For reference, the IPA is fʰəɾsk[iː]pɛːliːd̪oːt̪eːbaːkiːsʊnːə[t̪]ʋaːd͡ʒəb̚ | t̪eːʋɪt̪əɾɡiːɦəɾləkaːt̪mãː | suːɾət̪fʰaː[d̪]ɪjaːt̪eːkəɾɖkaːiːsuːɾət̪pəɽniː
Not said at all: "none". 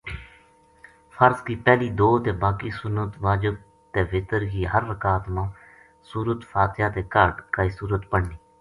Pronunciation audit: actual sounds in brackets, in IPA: iː, t̪, t̪

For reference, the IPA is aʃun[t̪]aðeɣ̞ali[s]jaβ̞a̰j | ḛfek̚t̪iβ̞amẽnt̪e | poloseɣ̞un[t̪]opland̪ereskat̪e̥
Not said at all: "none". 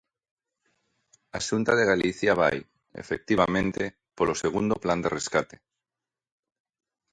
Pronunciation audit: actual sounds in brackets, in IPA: t̪, θ, d̪

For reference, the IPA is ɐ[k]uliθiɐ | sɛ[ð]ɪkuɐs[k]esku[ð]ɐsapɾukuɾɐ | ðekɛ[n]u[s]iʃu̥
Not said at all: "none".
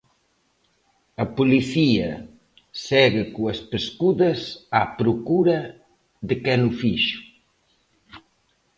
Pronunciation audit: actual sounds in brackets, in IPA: p, ɣ, p, ð, n, f

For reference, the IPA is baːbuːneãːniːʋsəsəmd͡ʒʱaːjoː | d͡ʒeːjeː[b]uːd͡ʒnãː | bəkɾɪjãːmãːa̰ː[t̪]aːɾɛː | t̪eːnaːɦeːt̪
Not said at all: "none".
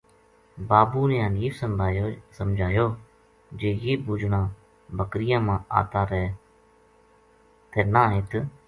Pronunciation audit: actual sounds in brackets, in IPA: b, t̪

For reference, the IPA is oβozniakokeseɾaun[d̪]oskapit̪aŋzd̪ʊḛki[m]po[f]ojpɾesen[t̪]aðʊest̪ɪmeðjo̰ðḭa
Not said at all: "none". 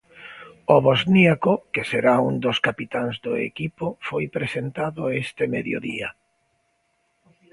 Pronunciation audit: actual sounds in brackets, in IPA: d̪, none, f, t̪

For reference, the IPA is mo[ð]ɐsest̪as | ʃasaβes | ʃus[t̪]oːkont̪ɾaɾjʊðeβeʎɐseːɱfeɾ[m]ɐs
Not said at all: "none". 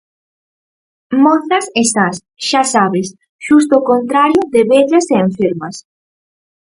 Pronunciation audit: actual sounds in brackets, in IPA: θ, t̪, m

